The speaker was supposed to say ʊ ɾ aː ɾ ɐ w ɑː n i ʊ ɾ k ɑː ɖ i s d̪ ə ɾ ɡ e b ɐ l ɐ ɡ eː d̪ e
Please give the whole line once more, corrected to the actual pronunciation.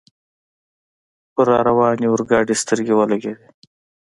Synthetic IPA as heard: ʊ ɾ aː ɾ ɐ w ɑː n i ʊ ɾ ɡ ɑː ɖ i s t̪ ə ɾ ɡ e w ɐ l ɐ ɡ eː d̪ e